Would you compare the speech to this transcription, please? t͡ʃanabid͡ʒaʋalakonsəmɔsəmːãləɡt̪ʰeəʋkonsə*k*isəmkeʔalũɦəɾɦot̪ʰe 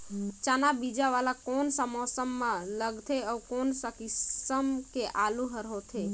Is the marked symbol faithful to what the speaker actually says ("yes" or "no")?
yes